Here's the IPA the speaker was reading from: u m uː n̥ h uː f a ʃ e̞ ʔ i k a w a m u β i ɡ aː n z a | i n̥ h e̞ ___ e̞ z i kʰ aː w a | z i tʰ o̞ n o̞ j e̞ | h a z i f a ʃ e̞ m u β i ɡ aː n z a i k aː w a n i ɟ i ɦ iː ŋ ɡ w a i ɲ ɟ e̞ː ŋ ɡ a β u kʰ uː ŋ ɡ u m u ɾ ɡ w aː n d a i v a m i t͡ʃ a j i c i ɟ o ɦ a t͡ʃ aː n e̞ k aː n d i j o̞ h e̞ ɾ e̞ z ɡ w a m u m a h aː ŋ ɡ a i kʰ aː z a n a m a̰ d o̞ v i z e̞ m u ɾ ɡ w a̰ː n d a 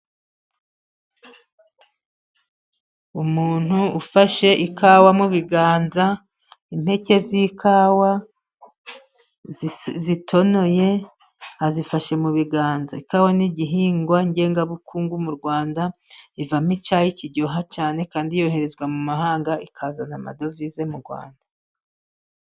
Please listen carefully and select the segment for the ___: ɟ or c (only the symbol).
c